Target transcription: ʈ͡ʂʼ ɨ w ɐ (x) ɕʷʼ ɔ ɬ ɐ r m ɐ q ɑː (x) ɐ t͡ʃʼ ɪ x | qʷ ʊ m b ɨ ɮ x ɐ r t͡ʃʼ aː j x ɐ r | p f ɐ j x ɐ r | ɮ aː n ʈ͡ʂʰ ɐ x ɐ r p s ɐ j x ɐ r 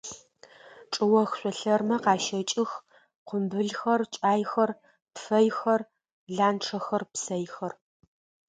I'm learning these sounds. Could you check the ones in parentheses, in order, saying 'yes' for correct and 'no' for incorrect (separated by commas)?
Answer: yes, no